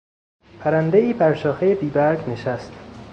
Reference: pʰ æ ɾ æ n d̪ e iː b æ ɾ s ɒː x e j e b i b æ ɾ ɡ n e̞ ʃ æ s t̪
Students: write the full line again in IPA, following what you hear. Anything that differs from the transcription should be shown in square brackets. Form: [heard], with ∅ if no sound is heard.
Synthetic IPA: pʰ æ ɾ æ n d̪ e iː b æ ɾ [ʃ] ɒː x e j e b [iː] b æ ɾ ɡ n e̞ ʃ æ s t̪